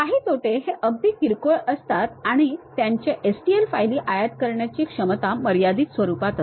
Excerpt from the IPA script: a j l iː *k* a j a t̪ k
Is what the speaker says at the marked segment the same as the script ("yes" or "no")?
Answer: no